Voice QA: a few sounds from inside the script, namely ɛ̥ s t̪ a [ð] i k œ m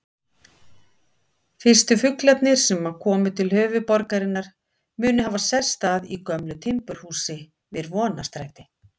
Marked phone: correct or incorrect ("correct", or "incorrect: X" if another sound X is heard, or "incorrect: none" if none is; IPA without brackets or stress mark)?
correct